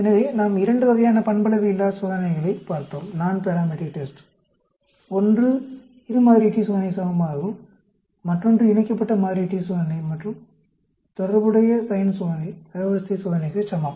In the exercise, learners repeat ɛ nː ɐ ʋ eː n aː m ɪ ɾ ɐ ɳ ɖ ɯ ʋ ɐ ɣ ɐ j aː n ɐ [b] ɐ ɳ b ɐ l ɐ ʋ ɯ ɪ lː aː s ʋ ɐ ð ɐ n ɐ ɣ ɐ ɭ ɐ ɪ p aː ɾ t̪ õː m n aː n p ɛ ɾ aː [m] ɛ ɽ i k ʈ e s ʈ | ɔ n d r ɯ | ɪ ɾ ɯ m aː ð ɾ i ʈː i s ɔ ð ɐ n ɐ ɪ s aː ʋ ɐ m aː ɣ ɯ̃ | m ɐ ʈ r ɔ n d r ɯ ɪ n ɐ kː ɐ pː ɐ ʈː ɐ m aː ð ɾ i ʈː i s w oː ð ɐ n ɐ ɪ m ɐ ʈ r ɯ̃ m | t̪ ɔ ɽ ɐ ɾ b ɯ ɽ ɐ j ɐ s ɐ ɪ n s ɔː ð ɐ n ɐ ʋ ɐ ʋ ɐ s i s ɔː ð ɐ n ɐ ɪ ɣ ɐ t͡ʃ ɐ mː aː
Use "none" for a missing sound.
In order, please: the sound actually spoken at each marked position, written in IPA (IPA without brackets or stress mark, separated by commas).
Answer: p, m